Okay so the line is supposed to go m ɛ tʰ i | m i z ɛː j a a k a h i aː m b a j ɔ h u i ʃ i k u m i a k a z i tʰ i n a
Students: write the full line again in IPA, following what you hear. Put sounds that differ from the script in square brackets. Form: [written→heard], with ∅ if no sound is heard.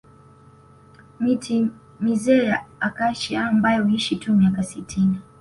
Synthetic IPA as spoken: m [ɛ→i] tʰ i | m i z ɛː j a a k a [h→ʃ] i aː m b a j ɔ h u i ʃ i [k→t] u m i a k a [z→s] i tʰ i n [a→i]